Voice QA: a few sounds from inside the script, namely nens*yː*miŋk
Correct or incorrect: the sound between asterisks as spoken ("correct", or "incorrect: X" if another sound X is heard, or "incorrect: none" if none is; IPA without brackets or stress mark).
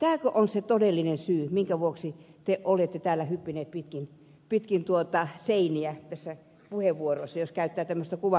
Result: correct